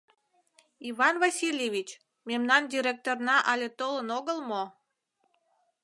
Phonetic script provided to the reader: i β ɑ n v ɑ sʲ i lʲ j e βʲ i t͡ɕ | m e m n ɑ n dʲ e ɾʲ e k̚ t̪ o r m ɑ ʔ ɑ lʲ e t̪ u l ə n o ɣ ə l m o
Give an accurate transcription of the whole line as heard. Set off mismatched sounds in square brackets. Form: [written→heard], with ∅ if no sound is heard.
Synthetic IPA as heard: i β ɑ n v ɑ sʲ i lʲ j e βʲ i t͡ɕ | m e m n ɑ n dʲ [e→i] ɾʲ e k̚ t̪ o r [m→n] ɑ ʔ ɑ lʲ e t̪ [u→o] l ə n o ɣ ə l m o